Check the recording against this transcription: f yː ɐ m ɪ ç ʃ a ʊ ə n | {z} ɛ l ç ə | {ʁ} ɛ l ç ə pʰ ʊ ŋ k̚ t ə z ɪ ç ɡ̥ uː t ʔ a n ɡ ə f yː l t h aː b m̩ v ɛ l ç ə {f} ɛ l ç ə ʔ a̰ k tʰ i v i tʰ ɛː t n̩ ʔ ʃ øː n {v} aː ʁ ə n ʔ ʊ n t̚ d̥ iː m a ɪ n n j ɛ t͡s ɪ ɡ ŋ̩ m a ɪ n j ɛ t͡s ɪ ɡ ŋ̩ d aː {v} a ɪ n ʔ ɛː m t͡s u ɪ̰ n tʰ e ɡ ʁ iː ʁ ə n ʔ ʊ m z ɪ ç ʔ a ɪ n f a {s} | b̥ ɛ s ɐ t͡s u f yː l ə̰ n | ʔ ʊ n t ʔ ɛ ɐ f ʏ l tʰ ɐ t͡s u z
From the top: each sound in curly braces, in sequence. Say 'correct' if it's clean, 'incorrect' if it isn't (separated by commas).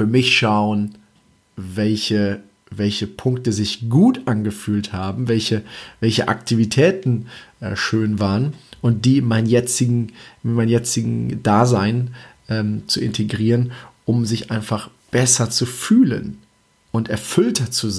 incorrect, incorrect, incorrect, correct, incorrect, incorrect